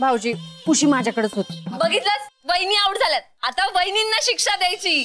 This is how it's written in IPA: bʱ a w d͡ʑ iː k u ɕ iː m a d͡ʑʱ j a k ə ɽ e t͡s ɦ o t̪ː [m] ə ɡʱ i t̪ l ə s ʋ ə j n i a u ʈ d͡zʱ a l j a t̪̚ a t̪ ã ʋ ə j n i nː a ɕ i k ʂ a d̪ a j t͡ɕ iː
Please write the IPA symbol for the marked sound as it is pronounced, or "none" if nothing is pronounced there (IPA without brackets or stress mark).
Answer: b